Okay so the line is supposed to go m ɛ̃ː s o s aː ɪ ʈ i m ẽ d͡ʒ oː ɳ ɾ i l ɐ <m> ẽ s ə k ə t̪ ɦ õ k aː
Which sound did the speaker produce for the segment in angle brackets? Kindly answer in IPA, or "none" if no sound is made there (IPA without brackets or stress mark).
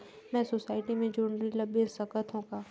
b